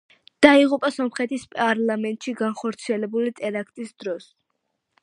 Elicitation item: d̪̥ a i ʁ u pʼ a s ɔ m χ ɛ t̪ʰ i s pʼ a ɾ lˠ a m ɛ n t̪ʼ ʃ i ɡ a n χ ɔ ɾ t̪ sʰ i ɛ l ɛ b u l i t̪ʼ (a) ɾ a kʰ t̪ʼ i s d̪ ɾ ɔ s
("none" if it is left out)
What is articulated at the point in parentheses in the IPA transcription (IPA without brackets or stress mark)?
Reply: ɛ